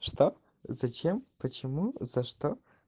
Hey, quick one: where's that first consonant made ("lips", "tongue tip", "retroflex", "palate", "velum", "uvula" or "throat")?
retroflex